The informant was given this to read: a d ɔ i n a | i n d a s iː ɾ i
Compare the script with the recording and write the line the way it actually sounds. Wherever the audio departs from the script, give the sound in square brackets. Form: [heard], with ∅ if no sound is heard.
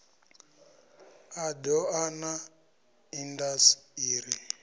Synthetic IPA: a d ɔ [a] n a | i n d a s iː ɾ i